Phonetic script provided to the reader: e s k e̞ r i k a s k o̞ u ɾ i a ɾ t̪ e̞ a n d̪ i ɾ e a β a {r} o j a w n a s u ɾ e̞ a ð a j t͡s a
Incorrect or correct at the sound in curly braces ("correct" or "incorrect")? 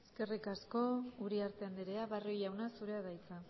correct